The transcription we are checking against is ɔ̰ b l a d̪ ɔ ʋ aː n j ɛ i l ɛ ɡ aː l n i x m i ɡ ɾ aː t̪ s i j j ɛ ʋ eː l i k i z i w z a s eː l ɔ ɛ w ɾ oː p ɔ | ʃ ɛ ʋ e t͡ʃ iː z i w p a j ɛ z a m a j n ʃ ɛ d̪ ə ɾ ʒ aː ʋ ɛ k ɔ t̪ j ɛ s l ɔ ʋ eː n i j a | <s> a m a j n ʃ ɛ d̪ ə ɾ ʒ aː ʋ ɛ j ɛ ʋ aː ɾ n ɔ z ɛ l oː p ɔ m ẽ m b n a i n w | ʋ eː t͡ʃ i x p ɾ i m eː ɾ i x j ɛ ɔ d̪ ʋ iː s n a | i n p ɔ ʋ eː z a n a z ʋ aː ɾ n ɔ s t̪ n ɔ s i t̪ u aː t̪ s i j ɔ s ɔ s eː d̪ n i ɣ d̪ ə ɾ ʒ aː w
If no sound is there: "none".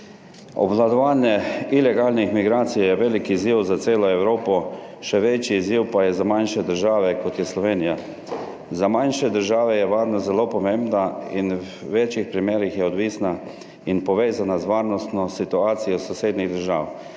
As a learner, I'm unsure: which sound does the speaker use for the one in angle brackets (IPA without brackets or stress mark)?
z